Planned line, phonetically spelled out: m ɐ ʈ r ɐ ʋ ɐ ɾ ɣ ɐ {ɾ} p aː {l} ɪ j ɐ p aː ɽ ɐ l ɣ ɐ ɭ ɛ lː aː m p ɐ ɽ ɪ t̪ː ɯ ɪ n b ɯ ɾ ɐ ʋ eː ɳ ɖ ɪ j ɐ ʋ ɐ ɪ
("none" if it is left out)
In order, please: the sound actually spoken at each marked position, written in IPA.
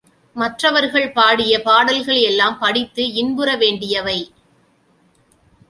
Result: ɭ, ɽ

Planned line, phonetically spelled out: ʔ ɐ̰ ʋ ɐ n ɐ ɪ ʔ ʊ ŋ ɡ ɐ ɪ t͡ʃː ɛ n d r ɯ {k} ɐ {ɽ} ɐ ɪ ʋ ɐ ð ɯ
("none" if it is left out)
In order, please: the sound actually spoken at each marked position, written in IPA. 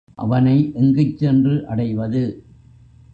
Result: ʔ, ɽ

